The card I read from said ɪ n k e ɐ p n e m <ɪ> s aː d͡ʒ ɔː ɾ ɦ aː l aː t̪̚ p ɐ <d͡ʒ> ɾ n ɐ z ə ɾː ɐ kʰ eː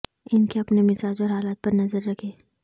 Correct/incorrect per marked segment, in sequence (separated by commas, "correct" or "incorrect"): correct, incorrect